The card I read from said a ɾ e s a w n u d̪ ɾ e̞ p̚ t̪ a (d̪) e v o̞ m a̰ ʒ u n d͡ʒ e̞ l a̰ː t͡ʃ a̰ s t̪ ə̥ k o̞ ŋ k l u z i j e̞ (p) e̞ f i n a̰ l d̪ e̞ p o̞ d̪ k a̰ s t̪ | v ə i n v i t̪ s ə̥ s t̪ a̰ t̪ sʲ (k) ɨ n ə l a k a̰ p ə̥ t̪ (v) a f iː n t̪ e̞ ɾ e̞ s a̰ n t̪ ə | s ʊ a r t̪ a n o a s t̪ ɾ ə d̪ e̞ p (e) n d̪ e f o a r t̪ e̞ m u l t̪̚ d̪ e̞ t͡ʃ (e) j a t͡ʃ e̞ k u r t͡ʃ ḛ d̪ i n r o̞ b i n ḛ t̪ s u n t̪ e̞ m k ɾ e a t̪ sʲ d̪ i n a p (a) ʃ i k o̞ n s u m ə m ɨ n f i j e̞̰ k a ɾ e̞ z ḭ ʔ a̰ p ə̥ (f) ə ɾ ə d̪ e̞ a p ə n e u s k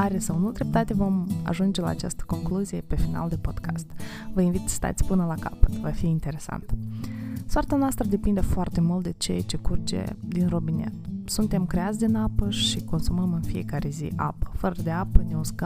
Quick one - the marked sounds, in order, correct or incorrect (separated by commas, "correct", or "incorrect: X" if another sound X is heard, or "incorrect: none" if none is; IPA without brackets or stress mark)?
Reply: incorrect: t̪, correct, incorrect: p, correct, incorrect: i, correct, incorrect: ə, correct